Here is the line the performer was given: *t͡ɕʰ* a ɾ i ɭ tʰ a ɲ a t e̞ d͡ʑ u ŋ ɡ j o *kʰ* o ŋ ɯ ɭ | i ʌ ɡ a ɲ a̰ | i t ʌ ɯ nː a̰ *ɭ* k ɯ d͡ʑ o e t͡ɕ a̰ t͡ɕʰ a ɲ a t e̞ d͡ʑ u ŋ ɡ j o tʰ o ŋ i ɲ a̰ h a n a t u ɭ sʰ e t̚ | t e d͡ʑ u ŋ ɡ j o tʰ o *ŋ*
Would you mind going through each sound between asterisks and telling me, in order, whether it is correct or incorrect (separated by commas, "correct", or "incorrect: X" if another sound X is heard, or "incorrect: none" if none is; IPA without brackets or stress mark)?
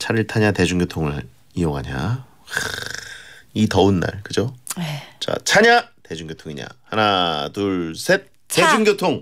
correct, incorrect: tʰ, correct, correct